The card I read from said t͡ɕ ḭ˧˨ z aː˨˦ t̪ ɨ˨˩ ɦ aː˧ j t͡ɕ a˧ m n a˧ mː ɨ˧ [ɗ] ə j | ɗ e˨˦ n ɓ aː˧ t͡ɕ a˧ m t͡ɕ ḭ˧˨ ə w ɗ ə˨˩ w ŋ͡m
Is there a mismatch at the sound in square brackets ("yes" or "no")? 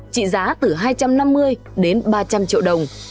yes